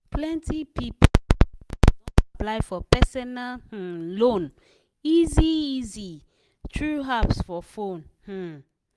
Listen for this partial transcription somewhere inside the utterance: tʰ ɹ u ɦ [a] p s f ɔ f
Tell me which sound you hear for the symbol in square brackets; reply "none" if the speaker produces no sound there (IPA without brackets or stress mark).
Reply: a